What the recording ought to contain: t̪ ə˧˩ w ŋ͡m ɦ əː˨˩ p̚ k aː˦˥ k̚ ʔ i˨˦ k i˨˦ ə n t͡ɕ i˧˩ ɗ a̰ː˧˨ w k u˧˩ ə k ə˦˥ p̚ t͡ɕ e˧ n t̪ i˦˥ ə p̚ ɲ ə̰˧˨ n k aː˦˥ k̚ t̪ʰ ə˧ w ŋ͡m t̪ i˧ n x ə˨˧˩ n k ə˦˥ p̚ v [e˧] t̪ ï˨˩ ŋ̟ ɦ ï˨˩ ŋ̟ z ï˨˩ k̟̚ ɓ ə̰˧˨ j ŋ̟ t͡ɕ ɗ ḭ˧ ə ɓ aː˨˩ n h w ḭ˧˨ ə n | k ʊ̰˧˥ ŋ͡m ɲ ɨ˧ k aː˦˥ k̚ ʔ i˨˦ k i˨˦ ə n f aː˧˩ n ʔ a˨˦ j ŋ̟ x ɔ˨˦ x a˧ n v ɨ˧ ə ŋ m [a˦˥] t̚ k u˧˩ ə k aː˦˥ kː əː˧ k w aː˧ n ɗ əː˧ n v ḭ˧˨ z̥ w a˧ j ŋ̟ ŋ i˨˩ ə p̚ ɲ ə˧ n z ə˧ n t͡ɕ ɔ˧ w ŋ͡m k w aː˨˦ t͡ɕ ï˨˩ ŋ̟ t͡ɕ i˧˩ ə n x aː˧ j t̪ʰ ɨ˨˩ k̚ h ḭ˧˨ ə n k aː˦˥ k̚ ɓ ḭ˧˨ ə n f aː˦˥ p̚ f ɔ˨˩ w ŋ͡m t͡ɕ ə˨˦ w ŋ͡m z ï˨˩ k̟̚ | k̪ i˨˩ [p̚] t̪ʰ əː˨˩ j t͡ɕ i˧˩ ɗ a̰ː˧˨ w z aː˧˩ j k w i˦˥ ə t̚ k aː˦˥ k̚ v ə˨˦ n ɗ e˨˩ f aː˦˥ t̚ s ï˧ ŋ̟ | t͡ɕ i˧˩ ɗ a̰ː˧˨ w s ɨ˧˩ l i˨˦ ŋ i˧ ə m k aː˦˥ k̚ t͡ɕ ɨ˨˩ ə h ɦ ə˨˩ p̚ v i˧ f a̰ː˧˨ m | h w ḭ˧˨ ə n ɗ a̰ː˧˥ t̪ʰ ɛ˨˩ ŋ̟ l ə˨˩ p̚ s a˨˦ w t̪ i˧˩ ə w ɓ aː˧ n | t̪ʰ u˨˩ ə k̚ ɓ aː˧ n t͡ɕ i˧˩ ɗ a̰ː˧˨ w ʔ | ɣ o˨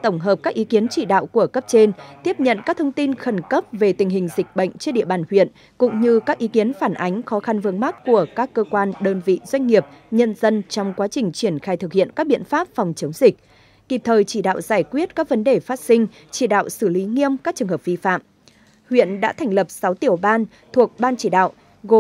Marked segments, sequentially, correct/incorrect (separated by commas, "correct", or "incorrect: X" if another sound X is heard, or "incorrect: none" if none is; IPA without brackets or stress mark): incorrect: e˨˩, correct, correct